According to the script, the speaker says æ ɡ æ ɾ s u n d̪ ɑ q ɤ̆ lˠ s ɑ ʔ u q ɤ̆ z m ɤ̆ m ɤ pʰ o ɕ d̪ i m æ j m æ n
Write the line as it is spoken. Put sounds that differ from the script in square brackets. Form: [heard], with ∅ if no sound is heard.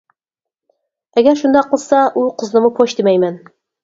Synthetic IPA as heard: æ ɡ æ ɾ [ʃ] u n d̪ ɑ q ɤ̆ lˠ s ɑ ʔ u q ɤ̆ z [n] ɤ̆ m ɤ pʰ o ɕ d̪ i m æ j m æ n

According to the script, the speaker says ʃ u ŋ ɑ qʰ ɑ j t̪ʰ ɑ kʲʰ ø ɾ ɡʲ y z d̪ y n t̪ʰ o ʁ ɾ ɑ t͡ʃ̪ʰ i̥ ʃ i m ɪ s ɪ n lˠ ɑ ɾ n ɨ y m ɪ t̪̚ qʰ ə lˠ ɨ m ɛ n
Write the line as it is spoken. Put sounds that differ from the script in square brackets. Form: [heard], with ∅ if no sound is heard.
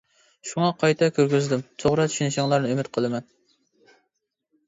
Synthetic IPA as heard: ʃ u ŋ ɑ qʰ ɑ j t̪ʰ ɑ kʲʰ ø ɾ ɡʲ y z d̪ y [m] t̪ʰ o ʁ ɾ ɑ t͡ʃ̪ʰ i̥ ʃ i [n] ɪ [ʃ] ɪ [ŋ] lˠ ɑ ɾ n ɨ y m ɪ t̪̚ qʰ ə lˠ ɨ m ɛ n

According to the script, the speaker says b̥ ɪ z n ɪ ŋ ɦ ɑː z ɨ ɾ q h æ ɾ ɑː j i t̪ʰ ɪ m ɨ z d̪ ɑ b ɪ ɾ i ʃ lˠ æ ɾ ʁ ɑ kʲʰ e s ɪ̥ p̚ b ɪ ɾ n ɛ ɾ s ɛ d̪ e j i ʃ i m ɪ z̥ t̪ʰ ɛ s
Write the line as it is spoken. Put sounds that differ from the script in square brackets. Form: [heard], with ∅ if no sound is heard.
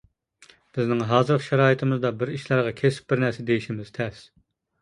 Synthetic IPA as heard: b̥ ɪ z n ɪ ŋ ɦ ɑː z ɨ ɾ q [ʃ] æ ɾ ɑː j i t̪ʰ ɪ m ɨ z d̪ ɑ b ɪ ɾ i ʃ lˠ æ ɾ ʁ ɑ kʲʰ e s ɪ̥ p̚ b ɪ ɾ n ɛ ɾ s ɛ d̪ e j i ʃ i m ɪ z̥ t̪ʰ ɛ s

